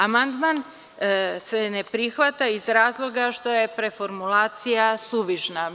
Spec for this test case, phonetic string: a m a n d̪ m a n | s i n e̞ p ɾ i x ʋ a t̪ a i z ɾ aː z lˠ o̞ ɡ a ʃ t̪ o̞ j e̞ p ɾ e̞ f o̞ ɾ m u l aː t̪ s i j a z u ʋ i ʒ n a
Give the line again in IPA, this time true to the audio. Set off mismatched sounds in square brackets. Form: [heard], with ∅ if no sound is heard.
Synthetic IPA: a m a n d̪ m a n | s [e] n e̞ p ɾ i x ʋ a t̪ a i z ɾ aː z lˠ o̞ ɡ a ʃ t̪ o̞ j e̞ p ɾ e̞ f o̞ ɾ m u l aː t̪ s i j a [s] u ʋ i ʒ n a